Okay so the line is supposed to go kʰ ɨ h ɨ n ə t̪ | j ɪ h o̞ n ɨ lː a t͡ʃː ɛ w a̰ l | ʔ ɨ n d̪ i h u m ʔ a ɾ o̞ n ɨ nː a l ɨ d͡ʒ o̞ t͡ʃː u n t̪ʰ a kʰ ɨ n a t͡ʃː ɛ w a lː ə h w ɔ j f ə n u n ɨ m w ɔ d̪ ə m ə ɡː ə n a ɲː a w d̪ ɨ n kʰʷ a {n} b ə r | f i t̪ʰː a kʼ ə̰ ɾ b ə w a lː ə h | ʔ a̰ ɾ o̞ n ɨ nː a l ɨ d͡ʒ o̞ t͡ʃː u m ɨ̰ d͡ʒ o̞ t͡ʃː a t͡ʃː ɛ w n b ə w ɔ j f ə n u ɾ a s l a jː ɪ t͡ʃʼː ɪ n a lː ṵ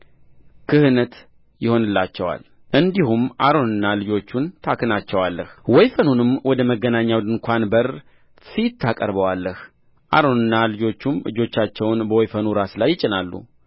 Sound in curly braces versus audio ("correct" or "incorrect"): correct